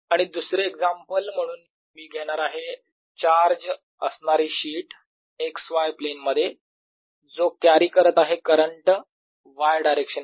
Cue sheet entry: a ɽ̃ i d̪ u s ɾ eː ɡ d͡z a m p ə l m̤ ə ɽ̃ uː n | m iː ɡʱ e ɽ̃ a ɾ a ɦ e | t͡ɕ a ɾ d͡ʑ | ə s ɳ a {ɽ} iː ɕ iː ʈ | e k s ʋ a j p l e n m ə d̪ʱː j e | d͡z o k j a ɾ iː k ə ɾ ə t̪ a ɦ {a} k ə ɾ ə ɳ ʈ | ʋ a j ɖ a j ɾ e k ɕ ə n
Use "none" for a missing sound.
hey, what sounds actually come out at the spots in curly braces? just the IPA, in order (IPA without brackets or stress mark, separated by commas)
ɾ, e